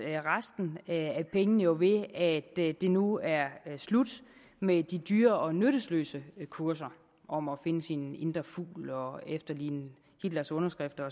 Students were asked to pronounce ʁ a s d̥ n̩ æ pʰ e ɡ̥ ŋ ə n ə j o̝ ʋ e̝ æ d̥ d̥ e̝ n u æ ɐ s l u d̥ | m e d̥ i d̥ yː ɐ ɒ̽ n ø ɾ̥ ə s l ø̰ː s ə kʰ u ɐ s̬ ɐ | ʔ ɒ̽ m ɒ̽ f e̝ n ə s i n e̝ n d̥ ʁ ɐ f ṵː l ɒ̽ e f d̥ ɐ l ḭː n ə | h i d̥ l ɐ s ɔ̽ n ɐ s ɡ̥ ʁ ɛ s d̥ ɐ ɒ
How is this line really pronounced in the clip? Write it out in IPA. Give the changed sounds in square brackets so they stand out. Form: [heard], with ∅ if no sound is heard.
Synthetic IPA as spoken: ʁ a s d̥ n̩ æ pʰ e [∅] ŋ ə n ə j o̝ ʋ e̝ æ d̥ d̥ e̝ n u æ ɐ s l u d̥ | m e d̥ i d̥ yː ɐ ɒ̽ n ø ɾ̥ ə s l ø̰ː s ə kʰ u ɐ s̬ ɐ | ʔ ɒ̽ m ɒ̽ f e̝ n ə s i n e̝ n d̥ ʁ ɐ f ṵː l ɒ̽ e f d̥ ɐ l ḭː n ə | h i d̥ l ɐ s ɔ̽ n ɐ s ɡ̥ ʁ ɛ [f] d̥ ɐ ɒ